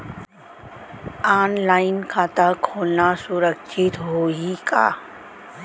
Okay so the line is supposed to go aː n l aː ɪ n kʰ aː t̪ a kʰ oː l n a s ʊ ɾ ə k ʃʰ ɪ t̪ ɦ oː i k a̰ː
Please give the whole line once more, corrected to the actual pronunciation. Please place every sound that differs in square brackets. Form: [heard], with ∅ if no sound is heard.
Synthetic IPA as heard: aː n l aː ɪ n kʰ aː t̪ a kʰ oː l n a s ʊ ɾ ə k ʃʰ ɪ t̪ ɦ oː i k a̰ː